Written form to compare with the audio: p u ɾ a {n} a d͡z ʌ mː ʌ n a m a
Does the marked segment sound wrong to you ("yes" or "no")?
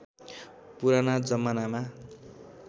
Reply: no